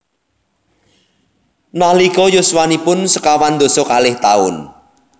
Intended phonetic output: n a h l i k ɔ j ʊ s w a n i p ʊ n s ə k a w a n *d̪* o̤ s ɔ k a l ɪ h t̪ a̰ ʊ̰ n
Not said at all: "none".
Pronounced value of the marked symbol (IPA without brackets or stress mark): d̪